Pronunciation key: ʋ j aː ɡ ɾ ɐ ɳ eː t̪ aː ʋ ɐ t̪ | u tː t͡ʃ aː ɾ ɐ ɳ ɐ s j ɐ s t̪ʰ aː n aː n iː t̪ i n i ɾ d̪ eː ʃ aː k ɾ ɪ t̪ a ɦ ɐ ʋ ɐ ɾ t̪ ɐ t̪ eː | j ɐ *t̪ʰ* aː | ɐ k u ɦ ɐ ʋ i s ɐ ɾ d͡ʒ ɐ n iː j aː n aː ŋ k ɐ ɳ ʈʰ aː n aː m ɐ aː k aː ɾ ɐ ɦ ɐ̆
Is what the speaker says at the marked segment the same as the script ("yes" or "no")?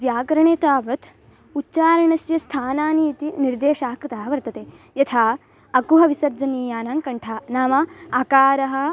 yes